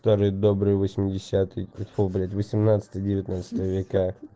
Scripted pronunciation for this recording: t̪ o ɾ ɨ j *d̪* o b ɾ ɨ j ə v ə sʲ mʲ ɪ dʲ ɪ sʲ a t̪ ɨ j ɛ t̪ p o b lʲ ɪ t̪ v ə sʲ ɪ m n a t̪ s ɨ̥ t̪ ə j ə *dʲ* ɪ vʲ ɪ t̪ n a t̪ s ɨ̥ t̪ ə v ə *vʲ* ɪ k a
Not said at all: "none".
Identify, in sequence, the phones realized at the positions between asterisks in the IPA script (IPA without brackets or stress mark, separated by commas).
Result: d̪, dʲ, vʲ